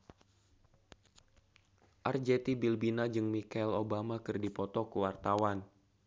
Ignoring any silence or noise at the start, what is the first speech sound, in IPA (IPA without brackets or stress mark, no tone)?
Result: ʔ